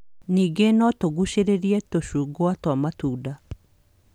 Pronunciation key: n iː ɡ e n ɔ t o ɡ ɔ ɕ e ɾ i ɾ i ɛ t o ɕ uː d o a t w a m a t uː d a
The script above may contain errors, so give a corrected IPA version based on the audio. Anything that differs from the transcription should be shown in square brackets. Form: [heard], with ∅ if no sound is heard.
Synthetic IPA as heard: n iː ɡ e n ɔ t o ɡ [u] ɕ e ɾ [e] ɾ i ɛ t o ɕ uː [ɡ] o a t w a m a t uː d a

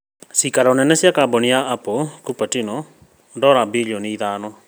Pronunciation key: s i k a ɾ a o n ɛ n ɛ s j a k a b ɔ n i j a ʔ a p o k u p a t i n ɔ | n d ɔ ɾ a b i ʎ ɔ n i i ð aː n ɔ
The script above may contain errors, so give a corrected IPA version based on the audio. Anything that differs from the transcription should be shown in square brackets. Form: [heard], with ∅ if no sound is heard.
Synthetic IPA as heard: s i k a ɾ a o n ɛ n ɛ s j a k a b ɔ n i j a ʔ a p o k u p a t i n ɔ | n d ɔ ɾ a b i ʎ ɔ n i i ð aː n ɔ

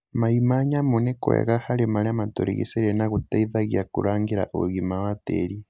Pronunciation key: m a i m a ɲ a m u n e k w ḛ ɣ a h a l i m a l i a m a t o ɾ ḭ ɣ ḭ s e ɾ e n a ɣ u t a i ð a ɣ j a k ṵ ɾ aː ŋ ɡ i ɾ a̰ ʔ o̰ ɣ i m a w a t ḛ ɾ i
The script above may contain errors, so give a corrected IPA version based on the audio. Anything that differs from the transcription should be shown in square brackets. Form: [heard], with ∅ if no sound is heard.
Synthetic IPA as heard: m a i m a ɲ a m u n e k w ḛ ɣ a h a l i m a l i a m a t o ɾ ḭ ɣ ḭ s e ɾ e n a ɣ u t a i ð a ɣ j a k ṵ ɾ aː ŋ ɡ i ɾ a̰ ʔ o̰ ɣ i m a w a t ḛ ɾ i

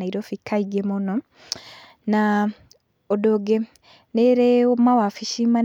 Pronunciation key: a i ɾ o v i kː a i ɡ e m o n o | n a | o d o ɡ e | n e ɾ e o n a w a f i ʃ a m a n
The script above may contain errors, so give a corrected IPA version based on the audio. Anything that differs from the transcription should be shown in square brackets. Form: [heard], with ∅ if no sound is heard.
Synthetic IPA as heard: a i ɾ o [f] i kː a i ɡ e m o n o | n a | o d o ɡ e | n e ɾ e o [m] a w a f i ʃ [i] m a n

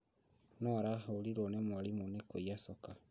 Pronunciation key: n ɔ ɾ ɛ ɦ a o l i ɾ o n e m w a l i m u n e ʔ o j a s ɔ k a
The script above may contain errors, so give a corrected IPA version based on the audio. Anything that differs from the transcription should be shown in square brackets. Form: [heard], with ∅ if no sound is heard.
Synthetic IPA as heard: n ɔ ɾ [a] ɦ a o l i ɾ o n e m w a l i m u n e [k] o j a s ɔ k a

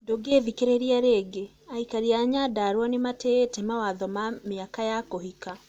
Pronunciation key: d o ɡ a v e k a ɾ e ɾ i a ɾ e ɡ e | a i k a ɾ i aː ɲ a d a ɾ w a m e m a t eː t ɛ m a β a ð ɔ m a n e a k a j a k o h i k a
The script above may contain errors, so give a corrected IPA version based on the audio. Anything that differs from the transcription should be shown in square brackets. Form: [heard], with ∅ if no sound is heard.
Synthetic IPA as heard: d o ɡ [e] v [i] k [e] ɾ e ɾ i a ɾ e ɡ e | a i k a ɾ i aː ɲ a d a ɾ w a [n] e m a t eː t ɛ m a [w] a ð ɔ m a [m] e a k a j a k o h i k a

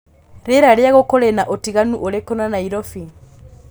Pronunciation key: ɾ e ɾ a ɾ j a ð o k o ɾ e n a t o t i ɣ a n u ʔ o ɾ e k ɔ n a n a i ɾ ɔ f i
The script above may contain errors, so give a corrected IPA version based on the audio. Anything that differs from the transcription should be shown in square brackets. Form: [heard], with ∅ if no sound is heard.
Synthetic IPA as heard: ɾ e ɾ a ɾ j a [ɣ] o k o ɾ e n a [ʔ] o t i ɣ a n u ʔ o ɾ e k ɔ n a n a i ɾ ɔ f i

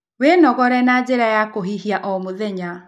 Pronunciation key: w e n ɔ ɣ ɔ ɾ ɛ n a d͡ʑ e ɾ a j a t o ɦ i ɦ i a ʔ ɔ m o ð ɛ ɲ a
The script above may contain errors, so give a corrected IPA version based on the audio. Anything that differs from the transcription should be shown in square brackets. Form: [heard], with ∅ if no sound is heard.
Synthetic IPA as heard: w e n ɔ ɣ ɔ ɾ ɛ n a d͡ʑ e ɾ a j a [k] o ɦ i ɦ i a ʔ ɔ m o ð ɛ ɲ a

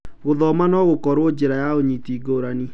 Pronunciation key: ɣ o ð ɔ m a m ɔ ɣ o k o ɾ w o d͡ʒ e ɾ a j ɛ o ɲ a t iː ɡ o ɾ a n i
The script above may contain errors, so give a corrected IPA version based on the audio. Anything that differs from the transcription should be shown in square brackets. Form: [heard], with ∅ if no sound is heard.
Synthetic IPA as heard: ɣ o ð ɔ m a [n] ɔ ɣ o k [ɔ] ɾ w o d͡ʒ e ɾ a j [a] o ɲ [i] t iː ɡ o ɾ a n i

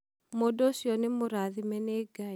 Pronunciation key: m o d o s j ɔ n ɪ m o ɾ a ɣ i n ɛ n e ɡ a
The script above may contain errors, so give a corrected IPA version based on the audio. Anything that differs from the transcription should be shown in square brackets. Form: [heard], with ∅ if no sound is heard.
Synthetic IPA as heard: m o d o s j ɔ n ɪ m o ɾ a [ð] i [m] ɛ n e ɡ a

